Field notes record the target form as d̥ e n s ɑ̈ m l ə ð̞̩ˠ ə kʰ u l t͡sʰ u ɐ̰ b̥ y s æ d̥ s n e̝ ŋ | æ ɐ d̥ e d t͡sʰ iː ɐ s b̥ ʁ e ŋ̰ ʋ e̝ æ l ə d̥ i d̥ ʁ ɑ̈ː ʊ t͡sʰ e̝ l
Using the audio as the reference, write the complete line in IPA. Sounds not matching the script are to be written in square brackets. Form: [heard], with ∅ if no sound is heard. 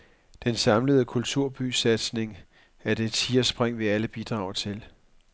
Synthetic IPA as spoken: d̥ e n s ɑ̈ m l ə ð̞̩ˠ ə kʰ u l t͡sʰ u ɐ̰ b̥ y s æ d̥ s n e̝ ŋ | æ ɐ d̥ e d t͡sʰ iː ɐ s b̥ ʁ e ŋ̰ ʋ e̝ æ l ə [b̥] i d̥ ʁ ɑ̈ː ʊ t͡sʰ e̝ l